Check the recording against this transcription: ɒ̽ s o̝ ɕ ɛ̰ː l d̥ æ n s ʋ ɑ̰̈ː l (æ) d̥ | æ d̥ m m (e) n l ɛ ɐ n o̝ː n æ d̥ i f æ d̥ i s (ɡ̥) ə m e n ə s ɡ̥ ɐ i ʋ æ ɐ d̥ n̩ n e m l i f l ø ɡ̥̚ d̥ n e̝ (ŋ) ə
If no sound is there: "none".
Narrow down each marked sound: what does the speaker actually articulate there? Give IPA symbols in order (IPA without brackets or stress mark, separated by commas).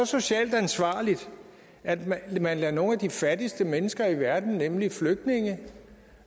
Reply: i, æ, d̥, ŋ